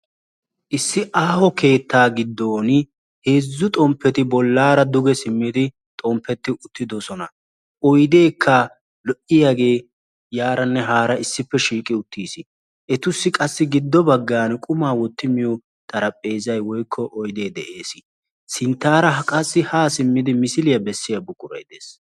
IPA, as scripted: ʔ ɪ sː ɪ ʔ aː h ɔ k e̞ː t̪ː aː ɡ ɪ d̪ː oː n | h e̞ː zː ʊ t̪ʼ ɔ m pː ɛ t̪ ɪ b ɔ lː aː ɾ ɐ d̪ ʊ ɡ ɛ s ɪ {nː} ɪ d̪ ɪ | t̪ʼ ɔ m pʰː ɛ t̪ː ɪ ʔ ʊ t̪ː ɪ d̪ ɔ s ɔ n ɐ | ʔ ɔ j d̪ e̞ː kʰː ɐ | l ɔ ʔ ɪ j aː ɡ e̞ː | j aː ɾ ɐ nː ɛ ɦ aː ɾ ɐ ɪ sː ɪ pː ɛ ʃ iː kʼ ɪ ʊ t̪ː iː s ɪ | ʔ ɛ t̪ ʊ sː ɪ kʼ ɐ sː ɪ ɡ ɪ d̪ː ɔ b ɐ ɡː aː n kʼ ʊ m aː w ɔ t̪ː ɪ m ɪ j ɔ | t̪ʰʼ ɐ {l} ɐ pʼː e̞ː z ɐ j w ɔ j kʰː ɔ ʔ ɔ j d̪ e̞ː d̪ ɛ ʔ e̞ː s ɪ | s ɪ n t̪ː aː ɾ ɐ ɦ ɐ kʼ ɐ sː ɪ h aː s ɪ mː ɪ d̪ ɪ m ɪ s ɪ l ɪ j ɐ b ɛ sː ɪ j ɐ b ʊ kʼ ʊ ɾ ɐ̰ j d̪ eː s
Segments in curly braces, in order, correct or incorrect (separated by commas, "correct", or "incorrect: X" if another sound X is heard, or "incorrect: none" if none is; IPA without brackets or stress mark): incorrect: mː, incorrect: ɾ